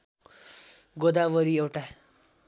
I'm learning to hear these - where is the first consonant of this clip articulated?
velum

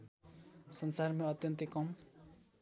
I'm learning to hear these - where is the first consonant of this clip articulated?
tongue tip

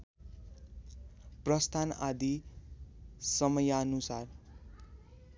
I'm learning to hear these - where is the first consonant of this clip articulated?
lips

